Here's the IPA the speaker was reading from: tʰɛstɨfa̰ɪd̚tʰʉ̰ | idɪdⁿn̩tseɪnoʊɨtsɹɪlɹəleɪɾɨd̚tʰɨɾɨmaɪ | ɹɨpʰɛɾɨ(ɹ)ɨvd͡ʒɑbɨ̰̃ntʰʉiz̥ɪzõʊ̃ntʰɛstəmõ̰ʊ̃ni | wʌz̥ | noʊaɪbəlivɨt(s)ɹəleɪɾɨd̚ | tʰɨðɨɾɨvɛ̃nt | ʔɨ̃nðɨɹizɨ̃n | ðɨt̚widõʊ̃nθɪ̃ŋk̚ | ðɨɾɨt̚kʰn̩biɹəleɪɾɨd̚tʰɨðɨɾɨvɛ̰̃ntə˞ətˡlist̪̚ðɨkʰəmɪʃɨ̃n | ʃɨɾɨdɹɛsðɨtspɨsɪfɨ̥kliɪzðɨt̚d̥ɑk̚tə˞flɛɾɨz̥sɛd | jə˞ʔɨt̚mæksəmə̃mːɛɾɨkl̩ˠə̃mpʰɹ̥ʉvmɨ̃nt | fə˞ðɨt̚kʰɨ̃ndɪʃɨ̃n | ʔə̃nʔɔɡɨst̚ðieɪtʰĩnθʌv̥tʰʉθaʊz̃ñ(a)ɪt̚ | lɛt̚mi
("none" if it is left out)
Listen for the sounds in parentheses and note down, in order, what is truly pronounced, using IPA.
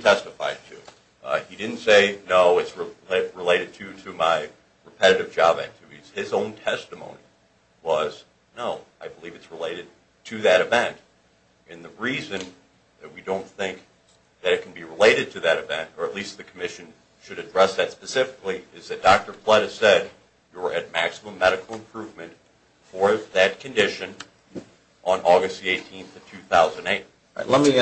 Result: ɾ, s, e

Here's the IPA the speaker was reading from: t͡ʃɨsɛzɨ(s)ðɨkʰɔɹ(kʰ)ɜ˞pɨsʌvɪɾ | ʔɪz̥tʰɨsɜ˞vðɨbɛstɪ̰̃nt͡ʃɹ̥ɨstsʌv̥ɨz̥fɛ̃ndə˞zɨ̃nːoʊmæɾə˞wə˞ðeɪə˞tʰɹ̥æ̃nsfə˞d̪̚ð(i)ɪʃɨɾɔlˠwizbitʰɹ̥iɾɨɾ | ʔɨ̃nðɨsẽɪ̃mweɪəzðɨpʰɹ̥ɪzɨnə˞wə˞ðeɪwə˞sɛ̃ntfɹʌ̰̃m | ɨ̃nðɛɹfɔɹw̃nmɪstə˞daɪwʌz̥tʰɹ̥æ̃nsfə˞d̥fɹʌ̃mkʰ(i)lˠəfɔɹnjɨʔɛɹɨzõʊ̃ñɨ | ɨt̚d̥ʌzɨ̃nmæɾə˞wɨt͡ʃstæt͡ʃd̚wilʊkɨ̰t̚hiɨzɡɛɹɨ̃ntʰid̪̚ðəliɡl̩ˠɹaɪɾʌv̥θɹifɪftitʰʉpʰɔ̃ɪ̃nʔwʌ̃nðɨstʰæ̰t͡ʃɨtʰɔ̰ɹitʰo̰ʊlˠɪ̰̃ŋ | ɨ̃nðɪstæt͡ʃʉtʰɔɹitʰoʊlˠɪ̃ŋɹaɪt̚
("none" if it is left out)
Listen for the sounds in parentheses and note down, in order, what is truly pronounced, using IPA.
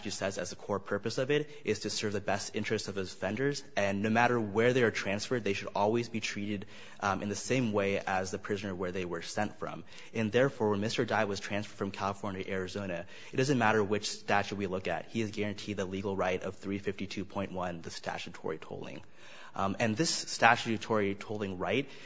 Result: z, pʰ, e, æ

